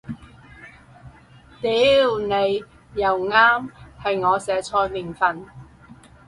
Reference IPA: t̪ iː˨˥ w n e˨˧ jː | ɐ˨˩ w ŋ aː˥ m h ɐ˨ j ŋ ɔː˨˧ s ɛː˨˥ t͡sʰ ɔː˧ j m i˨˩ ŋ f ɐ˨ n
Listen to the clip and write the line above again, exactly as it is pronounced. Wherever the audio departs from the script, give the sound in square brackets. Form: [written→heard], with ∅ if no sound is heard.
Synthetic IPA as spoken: t̪ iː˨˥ w n e˨˧ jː | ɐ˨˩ w ŋ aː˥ m h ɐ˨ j ŋ ɔː˨˧ s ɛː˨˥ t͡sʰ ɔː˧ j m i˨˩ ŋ f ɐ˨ n